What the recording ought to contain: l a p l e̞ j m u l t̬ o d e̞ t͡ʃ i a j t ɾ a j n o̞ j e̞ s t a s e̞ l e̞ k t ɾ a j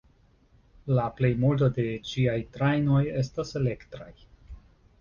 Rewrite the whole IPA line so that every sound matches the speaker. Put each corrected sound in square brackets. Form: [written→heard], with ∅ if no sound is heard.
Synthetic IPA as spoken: l a p l e̞ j m u l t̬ o d e̞ t͡ʃ i a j t ɾ a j n o̞ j e̞ s t a s e̞ l e̞ k t ɾ a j